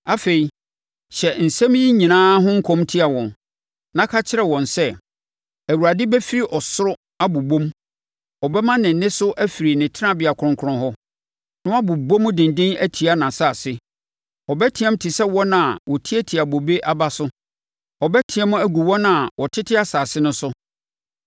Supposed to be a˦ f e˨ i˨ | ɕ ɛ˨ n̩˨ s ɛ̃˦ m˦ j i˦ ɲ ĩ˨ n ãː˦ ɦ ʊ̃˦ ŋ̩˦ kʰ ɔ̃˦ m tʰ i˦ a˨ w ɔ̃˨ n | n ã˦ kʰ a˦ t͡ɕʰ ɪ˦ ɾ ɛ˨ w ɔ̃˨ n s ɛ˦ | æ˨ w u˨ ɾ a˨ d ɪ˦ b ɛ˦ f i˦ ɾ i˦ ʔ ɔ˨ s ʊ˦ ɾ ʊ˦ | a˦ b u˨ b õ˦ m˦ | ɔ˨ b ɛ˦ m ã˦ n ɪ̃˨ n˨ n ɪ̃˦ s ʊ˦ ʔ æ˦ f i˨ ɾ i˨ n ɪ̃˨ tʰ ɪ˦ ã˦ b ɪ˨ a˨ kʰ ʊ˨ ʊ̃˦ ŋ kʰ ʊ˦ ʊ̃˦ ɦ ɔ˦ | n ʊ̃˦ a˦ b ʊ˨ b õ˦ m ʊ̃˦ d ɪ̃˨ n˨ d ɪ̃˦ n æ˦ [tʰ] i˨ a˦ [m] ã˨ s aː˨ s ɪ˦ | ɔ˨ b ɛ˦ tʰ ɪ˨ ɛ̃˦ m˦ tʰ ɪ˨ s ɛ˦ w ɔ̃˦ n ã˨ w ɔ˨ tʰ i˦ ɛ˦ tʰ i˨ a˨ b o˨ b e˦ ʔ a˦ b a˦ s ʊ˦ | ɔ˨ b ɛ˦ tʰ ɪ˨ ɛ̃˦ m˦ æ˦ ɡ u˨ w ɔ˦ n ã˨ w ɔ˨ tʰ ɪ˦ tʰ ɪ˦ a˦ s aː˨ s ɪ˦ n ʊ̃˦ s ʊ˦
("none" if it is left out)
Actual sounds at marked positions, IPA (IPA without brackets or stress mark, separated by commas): tʰ, n